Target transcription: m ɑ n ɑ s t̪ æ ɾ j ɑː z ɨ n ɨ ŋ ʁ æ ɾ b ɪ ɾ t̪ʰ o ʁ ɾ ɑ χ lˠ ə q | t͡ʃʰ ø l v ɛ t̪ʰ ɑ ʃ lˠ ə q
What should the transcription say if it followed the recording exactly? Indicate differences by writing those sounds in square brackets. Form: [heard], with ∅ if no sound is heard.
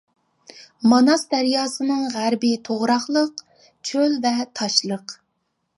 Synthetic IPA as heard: m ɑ n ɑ s [d̪] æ ɾ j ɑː [s] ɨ n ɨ ŋ ʁ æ ɾ b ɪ [∅] t̪ʰ o ʁ ɾ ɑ χ lˠ ə q | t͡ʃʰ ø l v ɛ t̪ʰ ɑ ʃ lˠ ə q